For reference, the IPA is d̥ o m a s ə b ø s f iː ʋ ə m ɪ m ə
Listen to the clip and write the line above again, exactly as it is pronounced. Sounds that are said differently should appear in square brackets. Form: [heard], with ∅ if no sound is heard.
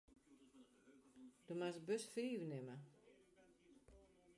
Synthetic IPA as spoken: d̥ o m a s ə b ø s f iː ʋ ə [n] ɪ m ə

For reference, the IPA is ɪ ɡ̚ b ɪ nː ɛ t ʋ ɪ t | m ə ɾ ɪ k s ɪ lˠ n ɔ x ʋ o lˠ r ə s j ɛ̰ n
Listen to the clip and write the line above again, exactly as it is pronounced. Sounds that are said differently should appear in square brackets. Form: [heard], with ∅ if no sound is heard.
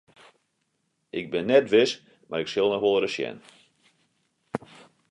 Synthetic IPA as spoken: ɪ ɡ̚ b ɪ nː ɛ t ʋ ɪ [s] | m [a] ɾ ɪ k s ɪ lˠ n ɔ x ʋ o lˠ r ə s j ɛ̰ n

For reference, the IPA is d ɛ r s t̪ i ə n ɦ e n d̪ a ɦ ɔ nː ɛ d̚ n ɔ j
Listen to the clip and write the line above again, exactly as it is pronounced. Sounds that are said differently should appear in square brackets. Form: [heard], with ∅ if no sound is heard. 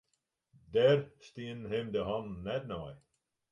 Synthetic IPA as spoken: d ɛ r s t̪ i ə n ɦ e [m] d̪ [ə] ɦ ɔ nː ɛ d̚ n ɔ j

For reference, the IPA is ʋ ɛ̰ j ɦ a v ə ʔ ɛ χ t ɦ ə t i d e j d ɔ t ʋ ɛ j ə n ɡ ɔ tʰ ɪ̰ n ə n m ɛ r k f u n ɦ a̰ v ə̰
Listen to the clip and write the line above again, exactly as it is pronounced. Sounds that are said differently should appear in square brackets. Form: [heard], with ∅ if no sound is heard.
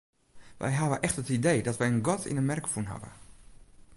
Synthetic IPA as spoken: ʋ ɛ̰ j ɦ a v ə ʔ ɛ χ t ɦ ə t i d e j d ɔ t ʋ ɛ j ə n ɡ ɔ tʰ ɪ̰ n ə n m ɛ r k f u n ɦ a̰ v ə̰

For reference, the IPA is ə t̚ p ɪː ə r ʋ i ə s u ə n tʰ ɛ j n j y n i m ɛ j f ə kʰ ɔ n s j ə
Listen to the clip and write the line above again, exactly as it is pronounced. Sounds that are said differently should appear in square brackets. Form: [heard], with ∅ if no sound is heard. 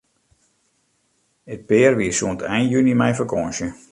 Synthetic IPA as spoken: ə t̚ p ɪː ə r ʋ i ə s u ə n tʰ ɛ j n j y n i m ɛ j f ə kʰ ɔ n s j ə

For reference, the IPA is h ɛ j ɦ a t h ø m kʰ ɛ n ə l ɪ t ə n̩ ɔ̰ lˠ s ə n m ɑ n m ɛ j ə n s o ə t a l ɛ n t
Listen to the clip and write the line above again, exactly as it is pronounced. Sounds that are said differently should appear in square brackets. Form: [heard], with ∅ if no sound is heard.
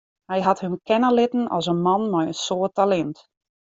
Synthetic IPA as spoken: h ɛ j ɦ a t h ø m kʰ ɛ n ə l ɪ t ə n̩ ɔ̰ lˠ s ə n m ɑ n m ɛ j ə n s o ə t a l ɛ n t

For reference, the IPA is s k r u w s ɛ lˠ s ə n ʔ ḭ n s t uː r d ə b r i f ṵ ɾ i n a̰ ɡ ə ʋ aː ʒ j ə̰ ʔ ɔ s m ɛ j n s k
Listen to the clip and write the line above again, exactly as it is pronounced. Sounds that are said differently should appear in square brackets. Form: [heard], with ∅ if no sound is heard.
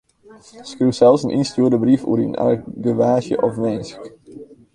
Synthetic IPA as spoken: s k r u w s ɛ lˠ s ə n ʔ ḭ n s t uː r d ə b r i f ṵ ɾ i n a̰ ɡ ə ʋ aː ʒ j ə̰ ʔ ɔ [f] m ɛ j n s k

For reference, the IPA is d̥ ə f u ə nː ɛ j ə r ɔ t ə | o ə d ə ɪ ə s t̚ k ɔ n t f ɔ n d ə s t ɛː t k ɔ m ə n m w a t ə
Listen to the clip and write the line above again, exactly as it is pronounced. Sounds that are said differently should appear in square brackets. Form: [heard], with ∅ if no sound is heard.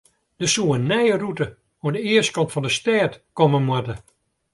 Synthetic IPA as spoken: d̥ ə [s] u ə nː ɛ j ə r [u] t ə | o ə d ə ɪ ə s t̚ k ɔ n t f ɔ n d ə s t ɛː t k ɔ m ə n m w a t ə

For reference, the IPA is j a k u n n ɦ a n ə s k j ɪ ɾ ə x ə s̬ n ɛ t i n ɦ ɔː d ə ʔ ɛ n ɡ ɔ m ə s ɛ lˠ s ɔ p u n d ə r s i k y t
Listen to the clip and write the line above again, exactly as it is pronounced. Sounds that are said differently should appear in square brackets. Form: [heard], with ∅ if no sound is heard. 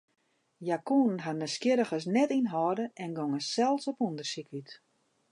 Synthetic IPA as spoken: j a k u n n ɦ a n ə s k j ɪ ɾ ə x ə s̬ n ɛ t i n ɦ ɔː d ə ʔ ɛ n ɡ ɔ [ŋ] ə s ɛ lˠ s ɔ p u n d ə r s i k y t

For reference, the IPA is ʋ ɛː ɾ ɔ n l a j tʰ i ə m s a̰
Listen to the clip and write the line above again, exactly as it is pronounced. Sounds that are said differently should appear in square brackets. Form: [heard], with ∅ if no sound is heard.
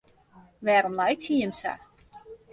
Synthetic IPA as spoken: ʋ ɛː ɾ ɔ [m] l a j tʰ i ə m s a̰

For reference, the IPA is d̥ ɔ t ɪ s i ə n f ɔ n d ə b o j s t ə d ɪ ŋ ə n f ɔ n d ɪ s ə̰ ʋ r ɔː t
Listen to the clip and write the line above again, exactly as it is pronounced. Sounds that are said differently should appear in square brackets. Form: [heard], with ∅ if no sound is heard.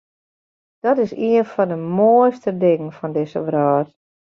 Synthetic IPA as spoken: d̥ ɔ t ɪ s i ə n f ɔ n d ə [m] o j s t ə d ɪ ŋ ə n f ɔ n d ɪ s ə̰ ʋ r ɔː t

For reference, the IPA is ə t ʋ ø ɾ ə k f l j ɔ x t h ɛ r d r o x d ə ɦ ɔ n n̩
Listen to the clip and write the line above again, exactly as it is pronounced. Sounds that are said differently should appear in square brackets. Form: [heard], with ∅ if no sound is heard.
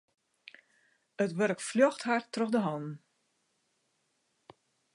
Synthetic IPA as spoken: ə t ʋ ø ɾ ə k f l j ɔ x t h [a] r [t] r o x d ə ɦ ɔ n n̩

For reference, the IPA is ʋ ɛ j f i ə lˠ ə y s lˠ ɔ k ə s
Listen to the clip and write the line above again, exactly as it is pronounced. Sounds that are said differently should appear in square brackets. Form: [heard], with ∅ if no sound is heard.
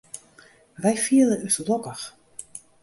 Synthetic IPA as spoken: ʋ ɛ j f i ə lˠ ə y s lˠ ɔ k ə [x]

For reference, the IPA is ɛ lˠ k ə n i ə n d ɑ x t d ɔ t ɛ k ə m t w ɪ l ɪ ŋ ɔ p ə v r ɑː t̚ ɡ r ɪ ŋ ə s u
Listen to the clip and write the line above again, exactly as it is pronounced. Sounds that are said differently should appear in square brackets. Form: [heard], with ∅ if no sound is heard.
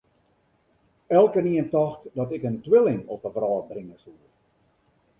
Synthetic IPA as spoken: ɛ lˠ k ə n i ə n [t] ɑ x t d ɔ t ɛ k ə [n] t w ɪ l ɪ ŋ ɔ p ə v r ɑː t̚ [b] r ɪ ŋ ə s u

